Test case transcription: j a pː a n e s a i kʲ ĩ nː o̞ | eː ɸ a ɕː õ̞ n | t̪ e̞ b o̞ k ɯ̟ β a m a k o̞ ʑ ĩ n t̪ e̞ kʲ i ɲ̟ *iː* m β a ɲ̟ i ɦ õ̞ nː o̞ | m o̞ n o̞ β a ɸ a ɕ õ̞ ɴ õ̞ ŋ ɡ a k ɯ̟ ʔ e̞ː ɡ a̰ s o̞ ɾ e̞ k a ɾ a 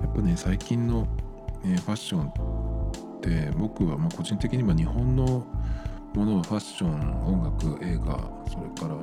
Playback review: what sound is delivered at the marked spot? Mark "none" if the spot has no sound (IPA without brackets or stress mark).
i